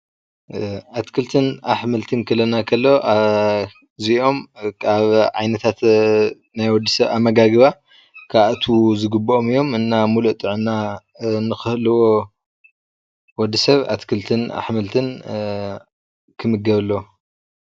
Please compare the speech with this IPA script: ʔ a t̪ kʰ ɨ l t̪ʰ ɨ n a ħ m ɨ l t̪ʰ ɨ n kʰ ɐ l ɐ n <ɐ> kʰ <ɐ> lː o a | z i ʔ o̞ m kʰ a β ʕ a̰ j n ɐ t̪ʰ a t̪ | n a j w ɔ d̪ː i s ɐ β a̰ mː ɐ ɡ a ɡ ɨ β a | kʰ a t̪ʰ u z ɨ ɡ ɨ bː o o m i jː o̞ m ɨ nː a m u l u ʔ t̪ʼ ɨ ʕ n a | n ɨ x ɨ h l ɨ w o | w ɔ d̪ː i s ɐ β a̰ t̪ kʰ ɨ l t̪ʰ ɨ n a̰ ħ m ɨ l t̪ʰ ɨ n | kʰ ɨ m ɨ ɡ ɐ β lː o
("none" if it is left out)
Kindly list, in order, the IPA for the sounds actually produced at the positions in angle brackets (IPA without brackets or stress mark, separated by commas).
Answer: a, ɐ